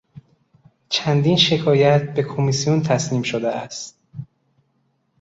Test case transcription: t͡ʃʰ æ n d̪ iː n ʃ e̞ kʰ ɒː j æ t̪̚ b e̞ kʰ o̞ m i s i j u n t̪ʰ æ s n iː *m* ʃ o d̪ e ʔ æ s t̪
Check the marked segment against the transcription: correct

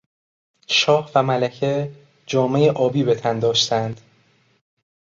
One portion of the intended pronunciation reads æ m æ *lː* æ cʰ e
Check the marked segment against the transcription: incorrect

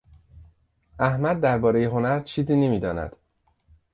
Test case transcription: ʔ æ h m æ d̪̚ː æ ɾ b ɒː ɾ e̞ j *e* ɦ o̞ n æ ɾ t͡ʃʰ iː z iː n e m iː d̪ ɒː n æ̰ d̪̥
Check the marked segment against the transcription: correct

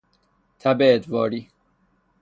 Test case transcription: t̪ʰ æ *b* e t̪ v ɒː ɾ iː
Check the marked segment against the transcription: correct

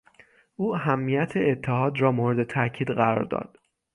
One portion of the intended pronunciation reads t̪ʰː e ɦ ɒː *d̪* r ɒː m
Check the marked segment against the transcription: correct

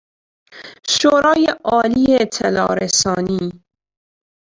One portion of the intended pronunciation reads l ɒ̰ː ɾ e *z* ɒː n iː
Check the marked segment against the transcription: incorrect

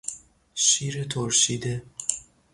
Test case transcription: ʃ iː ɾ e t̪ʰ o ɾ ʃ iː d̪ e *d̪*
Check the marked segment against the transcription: incorrect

